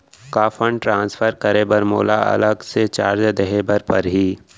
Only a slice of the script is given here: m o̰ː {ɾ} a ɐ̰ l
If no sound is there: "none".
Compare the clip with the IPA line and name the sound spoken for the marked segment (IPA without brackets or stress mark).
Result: l